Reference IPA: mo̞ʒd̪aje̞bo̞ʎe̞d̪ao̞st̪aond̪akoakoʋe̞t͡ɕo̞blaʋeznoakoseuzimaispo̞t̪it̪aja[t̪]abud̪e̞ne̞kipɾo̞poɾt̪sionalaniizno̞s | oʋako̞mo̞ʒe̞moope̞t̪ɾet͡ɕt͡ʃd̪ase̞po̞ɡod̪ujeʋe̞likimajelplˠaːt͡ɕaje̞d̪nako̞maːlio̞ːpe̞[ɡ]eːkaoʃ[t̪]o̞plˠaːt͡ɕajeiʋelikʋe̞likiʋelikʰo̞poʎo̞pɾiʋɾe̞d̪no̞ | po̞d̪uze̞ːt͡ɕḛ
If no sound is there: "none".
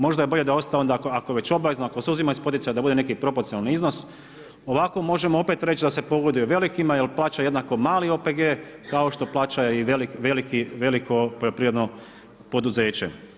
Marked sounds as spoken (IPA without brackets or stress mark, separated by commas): d̪, ɡ, t̪